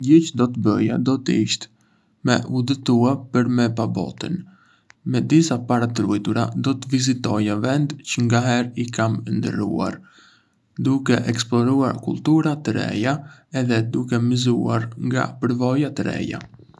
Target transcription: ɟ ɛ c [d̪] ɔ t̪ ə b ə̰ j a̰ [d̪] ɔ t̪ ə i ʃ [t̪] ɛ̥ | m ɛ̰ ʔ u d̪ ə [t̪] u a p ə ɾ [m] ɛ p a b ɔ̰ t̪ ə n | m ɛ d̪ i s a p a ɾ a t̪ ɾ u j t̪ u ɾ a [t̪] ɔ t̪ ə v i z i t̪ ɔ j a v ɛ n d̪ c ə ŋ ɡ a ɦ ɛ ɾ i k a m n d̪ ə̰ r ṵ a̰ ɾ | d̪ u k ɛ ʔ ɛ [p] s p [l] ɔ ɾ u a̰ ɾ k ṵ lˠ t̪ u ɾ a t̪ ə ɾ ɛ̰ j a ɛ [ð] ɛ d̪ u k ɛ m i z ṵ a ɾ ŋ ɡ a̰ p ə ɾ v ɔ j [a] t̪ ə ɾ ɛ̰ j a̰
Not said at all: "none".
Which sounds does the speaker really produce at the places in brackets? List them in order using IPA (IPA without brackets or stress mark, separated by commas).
d̪, d̪, t̪, t̪, m, d̪, k, l, ð, a